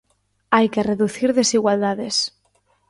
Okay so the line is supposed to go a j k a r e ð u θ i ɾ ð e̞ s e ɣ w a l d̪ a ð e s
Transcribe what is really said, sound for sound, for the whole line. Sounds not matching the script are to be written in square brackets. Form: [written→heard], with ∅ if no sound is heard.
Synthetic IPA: a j k [a→e] r e ð u θ i ɾ ð e̞ s [e→i] ɣ w a l d̪ a ð e s